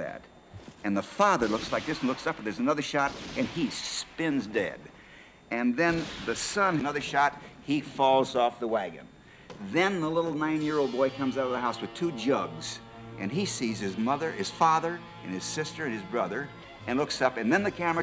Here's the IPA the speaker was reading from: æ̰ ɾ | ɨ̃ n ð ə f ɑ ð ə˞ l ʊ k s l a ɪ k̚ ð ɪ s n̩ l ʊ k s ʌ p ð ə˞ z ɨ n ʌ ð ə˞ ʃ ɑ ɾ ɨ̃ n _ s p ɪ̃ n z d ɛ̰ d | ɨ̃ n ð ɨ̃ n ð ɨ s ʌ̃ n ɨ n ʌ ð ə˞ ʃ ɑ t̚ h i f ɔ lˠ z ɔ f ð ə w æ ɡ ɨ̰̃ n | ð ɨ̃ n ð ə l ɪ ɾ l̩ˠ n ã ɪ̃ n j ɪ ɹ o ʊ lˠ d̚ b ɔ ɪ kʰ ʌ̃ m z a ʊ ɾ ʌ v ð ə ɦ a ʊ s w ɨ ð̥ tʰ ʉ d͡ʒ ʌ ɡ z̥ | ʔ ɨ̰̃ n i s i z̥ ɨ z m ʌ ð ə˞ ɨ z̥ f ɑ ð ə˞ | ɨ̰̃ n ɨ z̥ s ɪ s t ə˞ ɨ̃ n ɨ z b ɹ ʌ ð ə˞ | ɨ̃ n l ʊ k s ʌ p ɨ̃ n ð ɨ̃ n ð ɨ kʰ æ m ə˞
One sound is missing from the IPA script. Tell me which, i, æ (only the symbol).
i